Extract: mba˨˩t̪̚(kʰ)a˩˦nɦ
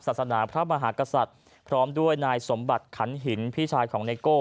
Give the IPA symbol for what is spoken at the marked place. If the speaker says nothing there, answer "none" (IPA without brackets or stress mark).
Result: kʰ